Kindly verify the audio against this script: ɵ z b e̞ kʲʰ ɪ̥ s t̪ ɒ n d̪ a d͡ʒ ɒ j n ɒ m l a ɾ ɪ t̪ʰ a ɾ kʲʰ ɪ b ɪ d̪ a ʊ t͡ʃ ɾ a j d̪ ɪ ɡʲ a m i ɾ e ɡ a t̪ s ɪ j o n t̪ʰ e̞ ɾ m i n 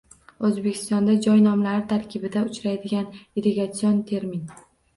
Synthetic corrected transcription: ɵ z b e̞ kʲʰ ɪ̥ s t̪ ɒ n d̪ a d͡ʒ ɒ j n ɒ m l a ɾ ɪ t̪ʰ a ɾ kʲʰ ɪ b ɪ d̪ a ʊ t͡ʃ ɾ a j d̪ ɪ ɡʲ a n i ɾ e ɡ a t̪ s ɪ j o n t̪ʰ e̞ ɾ m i n